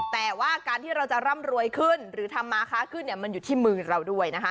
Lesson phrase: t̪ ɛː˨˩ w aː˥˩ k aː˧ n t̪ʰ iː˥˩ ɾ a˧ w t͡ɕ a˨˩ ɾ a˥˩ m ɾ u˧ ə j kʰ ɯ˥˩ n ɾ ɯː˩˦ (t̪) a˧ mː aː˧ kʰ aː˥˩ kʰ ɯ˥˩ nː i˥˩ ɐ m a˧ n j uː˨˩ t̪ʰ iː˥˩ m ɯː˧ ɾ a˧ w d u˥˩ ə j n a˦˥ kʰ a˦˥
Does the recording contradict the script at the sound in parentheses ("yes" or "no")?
yes